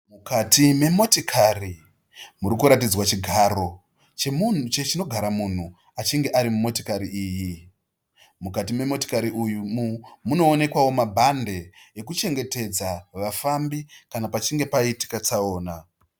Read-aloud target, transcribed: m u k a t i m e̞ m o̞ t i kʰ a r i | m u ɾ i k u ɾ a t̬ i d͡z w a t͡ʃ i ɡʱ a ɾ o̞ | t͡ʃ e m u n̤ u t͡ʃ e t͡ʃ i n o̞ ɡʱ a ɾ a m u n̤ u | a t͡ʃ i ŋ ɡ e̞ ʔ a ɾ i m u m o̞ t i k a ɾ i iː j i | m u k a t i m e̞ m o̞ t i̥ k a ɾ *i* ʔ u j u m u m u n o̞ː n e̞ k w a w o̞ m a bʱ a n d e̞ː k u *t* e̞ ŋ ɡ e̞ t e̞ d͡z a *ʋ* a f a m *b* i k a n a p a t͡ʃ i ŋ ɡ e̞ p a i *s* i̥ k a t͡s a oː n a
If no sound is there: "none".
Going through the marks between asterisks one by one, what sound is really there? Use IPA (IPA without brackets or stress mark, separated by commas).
i, t͡ʃ, ʋ, b, t